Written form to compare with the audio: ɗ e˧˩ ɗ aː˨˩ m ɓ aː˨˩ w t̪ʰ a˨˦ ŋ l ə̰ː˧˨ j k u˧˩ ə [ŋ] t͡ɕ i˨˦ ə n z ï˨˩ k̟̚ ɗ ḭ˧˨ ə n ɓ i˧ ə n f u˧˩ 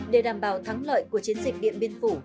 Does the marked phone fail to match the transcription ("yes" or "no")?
yes